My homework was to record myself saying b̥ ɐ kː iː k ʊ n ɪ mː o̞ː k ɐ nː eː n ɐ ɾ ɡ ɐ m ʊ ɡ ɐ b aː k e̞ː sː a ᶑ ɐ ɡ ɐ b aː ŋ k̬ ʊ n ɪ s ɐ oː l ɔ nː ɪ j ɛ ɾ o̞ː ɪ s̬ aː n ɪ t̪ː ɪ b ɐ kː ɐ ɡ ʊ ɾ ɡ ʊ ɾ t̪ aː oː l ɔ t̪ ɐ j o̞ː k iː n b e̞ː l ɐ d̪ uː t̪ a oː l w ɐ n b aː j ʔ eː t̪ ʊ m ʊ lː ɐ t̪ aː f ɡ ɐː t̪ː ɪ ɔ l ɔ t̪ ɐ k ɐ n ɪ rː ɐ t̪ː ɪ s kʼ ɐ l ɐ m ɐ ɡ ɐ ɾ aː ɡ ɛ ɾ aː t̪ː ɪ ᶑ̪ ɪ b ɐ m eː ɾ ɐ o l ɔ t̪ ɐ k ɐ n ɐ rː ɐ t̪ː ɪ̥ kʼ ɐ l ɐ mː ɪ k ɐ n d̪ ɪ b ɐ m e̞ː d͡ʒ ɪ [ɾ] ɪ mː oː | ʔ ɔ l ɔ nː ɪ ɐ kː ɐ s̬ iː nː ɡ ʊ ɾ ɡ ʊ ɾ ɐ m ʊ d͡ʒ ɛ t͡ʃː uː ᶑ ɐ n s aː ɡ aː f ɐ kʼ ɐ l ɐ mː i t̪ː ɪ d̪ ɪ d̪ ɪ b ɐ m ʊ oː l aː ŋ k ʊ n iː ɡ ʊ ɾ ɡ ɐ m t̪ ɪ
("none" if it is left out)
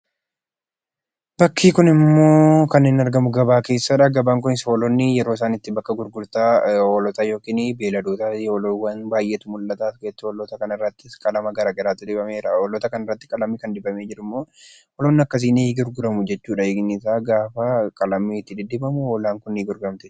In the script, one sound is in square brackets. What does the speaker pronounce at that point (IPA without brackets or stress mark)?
ɾ